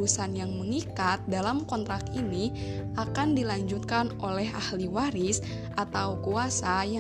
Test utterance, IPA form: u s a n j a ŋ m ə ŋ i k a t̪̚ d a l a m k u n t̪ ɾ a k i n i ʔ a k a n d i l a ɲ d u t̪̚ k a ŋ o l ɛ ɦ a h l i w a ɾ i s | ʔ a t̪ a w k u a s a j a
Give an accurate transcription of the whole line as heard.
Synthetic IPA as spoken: u s a n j a ŋ m ə ŋ i k a t̪̚ d a l a m k ɔ n t̪ ɾ a k i n i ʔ a k a n d i l a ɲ d͡ʒ u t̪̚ k a n o l ɛ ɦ a h l i w a ɾ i s | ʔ a t̪ a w k u a s a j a